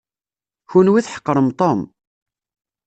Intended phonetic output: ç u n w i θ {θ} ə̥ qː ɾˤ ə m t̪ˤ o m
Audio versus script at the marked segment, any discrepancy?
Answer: yes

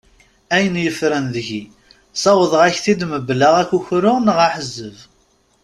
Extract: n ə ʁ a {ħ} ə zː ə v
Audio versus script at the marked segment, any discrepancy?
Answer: no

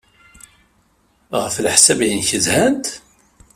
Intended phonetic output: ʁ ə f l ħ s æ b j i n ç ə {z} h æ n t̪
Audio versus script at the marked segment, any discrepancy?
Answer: no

